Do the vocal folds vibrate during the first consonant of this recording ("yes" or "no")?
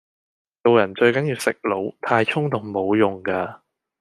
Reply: no